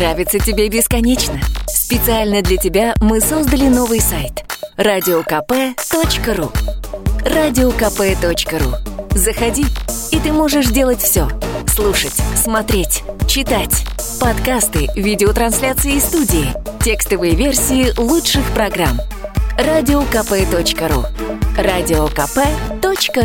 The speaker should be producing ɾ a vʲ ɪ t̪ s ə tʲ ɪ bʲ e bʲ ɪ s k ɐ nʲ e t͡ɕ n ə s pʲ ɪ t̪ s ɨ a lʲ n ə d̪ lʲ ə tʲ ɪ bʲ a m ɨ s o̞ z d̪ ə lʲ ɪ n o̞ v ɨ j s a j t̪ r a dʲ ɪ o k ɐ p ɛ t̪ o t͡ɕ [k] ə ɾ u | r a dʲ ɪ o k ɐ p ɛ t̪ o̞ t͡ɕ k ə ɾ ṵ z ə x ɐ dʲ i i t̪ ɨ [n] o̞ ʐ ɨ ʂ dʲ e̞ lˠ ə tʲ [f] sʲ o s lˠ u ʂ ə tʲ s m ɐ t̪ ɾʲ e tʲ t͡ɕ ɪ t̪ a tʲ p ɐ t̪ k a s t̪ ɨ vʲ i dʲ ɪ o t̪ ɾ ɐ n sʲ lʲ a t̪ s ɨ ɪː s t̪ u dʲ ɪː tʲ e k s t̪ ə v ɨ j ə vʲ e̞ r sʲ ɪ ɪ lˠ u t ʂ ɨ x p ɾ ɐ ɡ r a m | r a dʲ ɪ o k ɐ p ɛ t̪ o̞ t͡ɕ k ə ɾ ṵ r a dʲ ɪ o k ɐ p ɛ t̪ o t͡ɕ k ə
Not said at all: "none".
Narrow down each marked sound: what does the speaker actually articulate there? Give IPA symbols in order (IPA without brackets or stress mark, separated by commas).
k, m, f